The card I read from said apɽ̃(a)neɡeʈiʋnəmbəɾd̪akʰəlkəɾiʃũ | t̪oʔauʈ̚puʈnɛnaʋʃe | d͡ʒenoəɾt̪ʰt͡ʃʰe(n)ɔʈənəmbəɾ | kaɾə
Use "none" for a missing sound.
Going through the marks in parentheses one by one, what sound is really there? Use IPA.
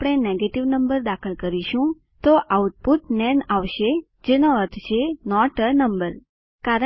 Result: e, n

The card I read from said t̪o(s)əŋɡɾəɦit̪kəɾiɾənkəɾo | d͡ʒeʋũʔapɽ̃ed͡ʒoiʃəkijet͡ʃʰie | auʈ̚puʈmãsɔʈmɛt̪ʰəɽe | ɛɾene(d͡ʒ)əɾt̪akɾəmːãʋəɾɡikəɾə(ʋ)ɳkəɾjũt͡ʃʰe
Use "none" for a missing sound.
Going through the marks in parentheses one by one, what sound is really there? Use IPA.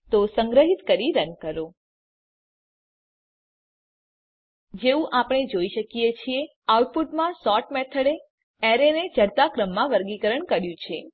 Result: s, d͡ʒ, none

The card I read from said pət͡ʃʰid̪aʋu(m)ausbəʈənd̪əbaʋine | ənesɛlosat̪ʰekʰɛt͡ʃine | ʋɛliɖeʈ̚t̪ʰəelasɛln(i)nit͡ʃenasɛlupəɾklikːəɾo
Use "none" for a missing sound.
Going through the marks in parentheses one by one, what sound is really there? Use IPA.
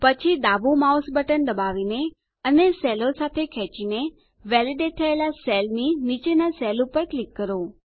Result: m, i

